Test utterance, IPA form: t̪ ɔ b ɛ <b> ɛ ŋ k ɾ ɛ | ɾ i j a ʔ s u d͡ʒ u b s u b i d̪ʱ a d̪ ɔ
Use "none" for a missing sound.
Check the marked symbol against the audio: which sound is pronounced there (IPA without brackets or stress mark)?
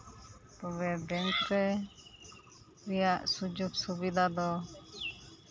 b